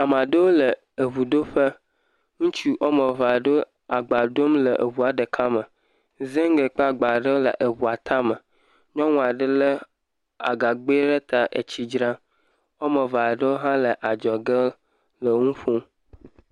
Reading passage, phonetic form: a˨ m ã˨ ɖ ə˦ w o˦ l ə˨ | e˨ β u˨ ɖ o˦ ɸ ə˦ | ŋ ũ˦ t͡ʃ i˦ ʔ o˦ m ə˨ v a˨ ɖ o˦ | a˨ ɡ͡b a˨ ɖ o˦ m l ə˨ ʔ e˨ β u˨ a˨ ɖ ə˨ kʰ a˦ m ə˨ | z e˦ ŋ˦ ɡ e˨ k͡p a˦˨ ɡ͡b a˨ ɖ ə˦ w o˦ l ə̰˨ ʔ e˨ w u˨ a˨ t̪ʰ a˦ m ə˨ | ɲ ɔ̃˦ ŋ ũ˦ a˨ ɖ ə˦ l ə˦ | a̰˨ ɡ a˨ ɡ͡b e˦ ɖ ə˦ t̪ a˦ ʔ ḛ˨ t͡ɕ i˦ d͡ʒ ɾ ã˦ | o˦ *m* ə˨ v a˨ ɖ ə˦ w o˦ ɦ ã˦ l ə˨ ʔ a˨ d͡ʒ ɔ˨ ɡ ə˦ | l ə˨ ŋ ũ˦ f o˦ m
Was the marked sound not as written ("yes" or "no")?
no